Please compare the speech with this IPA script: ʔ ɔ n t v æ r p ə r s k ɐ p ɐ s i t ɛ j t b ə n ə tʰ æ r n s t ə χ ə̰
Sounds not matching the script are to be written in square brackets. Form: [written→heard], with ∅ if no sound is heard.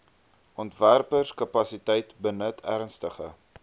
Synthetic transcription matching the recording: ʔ ɔ n t v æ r p ə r s k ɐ p ɐ s i t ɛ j t b ə n ə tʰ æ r n s t ə χ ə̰